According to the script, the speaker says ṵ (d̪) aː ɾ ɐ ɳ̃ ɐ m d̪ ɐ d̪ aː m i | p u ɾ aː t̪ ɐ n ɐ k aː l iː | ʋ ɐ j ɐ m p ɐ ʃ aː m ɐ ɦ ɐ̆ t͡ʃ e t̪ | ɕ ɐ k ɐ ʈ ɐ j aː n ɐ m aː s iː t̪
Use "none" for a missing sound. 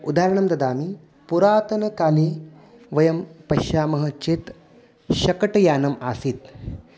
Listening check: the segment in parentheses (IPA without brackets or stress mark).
d̪